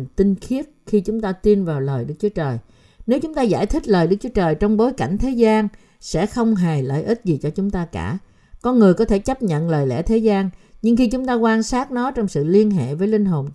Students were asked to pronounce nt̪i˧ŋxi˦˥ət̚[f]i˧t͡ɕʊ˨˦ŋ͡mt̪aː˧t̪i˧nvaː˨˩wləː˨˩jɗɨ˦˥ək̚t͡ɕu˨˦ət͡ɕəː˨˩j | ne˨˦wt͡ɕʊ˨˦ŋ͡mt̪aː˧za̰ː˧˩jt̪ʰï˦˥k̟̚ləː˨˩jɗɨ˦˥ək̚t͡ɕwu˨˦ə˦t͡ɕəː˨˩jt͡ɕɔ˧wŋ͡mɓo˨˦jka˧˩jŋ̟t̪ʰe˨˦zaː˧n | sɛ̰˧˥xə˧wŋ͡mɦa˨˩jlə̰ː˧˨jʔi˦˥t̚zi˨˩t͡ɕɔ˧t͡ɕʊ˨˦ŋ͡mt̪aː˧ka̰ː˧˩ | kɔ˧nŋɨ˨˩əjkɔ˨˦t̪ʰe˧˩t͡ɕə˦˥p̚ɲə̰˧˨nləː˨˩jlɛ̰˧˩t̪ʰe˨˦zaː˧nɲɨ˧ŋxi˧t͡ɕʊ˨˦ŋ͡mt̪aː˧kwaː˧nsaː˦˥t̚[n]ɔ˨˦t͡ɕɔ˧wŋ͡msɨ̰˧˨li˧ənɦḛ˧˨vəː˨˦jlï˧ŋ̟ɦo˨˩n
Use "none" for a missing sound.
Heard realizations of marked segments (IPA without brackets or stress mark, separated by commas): x, n